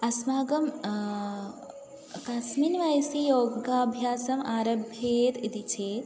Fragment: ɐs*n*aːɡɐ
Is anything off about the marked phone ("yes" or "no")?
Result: yes